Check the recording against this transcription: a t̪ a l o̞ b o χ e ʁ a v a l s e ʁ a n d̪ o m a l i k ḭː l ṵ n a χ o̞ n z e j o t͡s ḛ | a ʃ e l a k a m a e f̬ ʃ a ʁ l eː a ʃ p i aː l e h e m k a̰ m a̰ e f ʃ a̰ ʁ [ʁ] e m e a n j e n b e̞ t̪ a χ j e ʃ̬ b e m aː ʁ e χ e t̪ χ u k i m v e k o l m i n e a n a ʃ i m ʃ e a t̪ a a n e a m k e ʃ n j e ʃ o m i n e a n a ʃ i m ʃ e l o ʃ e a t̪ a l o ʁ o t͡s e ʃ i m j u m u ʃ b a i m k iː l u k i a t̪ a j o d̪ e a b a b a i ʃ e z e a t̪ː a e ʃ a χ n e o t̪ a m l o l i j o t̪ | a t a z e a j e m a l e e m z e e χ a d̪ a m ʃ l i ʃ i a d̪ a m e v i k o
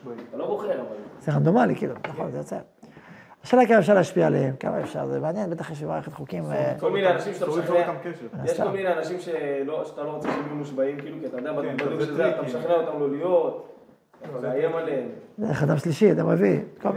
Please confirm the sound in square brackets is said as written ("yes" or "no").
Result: no